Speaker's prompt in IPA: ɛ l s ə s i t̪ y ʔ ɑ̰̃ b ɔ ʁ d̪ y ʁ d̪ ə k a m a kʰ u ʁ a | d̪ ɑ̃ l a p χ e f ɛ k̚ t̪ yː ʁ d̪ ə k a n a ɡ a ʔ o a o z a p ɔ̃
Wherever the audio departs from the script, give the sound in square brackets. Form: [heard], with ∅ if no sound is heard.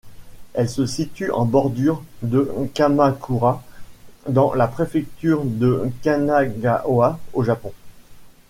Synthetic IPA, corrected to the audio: ɛ l s ə s i t̪ y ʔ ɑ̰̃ b ɔ ʁ d̪ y ʁ d̪ ə k a m a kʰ u ʁ a | d̪ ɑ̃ l a p χ e f ɛ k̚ t̪ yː ʁ d̪ ə k a n a ɡ a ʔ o a o [ʒ] a p ɔ̃